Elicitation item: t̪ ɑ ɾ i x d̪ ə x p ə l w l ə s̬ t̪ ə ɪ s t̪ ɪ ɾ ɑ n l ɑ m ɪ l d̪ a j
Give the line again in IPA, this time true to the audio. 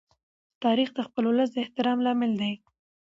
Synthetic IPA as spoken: t̪ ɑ ɾ i x d̪ ə x p ə l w l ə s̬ d̪ ə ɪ h t̪ ɪ ɾ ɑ m l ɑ m ɪ l d̪ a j